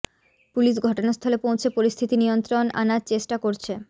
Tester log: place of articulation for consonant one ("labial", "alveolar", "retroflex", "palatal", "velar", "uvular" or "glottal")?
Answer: labial